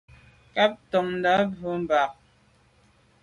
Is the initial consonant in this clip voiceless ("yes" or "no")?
yes